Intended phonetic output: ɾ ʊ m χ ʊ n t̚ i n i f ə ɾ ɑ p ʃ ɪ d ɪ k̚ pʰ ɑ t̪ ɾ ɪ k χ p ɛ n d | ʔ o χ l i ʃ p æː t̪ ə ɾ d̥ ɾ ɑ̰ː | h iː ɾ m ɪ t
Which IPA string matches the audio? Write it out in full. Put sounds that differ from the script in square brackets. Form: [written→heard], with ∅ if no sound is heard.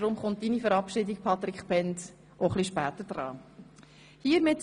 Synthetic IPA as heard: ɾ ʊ m χ ʊ n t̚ i n i f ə ɾ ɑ p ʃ ɪ d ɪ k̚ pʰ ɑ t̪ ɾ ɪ k χ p ɛ n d | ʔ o χ l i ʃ p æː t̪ ə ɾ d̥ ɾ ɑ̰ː | h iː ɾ m ɪ t